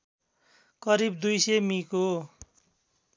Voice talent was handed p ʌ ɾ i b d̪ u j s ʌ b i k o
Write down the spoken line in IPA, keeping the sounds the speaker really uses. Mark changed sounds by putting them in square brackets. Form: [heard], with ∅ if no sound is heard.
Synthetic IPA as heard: [k] ʌ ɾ i b d̪ u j s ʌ [m] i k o